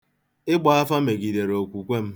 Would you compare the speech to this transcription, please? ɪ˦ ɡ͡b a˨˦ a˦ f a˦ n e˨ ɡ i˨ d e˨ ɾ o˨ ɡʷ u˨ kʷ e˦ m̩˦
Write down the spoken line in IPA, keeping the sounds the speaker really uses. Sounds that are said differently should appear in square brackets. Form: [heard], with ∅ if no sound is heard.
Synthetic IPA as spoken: ɪ˦ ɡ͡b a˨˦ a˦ f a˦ [m] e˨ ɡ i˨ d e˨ ɾ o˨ [kʷ] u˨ kʷ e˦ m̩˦